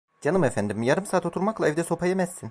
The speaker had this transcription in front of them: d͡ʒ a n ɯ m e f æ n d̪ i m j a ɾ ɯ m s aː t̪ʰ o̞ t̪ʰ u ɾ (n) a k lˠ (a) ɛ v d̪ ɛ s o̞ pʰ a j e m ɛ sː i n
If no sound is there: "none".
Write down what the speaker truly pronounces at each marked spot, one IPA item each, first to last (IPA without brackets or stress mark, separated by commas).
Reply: m, a